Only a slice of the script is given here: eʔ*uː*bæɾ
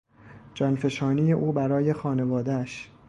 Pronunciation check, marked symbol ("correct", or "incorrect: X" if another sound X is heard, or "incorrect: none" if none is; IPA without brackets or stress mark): correct